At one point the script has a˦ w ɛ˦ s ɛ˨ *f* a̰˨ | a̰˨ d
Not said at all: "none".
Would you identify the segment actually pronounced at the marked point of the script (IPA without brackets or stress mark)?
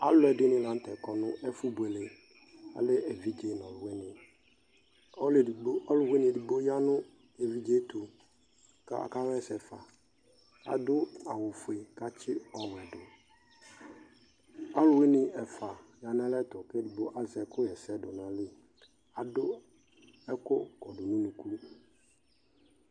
f